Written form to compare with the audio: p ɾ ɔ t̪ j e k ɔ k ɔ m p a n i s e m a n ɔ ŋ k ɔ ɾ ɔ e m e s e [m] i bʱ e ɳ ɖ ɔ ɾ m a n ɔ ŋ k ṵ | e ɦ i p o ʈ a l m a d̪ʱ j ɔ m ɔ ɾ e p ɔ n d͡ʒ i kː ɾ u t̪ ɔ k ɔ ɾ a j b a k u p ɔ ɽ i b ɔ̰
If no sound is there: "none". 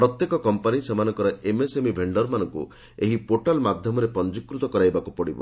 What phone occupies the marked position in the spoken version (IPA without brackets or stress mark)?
m